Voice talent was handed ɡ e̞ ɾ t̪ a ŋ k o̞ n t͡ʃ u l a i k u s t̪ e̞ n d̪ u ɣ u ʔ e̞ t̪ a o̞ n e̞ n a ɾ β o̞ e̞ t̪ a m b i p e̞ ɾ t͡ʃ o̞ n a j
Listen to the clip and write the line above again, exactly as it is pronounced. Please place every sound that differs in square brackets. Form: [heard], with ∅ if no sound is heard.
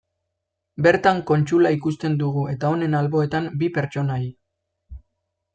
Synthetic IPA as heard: [b] e̞ ɾ t̪ a ŋ k o̞ n t͡ʃ u l a i k u s t̪ e̞ n d̪ u ɣ u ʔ e̞ t̪ a o̞ n e̞ n a [l] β o̞ e̞ t̪ a m b i p e̞ ɾ t͡ʃ o̞ n a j